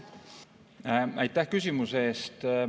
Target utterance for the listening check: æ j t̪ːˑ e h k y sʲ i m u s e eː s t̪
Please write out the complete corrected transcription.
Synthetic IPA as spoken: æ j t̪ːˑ æ h k y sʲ i m u s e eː s t̪

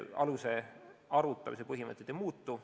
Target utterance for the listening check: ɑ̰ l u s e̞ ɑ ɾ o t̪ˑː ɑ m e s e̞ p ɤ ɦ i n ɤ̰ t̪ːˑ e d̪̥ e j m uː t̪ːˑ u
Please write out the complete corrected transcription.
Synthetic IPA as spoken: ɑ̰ l u s e̞ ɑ ɾ u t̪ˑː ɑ m i s e̞ p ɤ ɦ i m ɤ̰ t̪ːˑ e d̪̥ e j m uː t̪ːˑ u

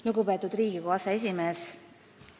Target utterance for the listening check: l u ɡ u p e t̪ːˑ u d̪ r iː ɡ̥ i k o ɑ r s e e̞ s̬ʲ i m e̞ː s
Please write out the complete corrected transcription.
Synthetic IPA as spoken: l u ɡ u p e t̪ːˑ u d̪ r iː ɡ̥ i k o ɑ s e e̞ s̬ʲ i m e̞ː s

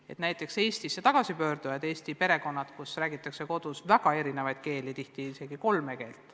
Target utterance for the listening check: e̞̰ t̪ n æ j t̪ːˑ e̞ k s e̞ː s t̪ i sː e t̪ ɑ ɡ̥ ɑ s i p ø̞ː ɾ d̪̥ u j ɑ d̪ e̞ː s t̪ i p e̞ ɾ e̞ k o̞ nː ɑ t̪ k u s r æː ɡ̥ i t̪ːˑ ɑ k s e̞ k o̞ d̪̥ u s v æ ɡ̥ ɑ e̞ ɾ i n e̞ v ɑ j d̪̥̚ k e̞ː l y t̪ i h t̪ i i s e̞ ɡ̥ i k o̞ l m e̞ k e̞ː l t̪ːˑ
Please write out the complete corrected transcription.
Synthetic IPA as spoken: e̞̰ t̪ n æ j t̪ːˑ e̞ k s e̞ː s t̪ i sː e t̪ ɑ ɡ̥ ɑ s i p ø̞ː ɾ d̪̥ u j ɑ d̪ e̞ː s t̪ i p e̞ ɾ e̞ k o̞ nː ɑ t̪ k u s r æː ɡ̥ i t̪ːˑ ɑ k s e̞ k o̞ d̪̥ u s v æ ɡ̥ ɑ e̞ ɾ i n e̞ v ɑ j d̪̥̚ k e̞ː l i t̪ i h t̪ i i s e̞ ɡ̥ i k o̞ l m e̞ k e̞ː l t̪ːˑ

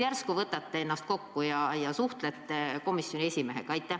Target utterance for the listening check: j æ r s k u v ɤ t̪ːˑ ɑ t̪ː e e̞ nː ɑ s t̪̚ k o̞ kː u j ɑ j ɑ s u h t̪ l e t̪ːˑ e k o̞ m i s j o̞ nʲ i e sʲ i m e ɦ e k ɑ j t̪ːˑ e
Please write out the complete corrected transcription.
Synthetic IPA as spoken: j æ r s k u v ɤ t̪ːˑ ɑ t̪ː e e̞ nː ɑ s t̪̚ k o̞ kː u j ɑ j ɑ s u h t̪ l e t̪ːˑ e k o̞ m i s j o̞ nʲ i e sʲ i m e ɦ e k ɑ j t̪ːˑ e

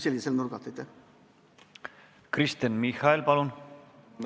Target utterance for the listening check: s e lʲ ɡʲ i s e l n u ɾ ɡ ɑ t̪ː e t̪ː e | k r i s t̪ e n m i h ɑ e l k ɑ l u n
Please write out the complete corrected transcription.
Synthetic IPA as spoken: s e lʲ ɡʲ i s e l n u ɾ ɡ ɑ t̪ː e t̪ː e | k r i s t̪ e n m i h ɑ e l p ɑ l u n

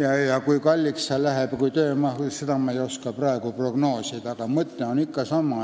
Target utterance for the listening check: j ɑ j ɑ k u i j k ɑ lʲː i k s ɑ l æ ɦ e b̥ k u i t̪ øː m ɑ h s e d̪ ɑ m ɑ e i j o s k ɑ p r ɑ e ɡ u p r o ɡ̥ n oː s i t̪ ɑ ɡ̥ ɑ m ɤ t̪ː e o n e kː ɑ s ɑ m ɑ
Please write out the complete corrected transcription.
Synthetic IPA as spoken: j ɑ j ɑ k u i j k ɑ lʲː i k s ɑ l æ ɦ e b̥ k u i t̪ øː m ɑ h s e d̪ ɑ m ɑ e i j o s k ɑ p r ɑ e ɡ u p r o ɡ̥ n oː s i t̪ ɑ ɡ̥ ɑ m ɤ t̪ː e o n i kː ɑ s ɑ m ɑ

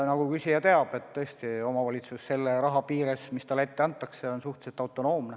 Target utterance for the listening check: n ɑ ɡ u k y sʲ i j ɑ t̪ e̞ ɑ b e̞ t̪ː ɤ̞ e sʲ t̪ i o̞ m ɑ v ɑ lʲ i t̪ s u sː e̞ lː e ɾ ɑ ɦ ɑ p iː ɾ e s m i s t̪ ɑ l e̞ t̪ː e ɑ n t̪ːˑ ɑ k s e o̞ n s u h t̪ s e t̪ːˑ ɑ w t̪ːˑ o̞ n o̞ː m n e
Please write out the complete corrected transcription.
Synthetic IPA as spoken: n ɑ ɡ u k y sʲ i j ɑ t̪ e̞ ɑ b e̞ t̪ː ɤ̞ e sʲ t̪ i o̞ m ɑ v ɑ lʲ i t̪ s u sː e̞ lː e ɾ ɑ ɦ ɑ p iː ɾ e s m i s t̪ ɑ l e̞ t̪ː e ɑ n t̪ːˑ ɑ k s e o̞ n s u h t̪ s e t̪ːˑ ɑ w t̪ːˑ o̞ n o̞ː m n e

